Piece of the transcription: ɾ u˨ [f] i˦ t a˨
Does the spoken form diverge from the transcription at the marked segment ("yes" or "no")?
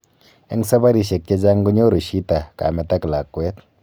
yes